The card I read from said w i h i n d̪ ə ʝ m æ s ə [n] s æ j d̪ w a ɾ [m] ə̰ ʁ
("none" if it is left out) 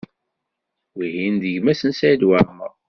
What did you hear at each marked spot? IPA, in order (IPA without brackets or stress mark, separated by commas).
n, m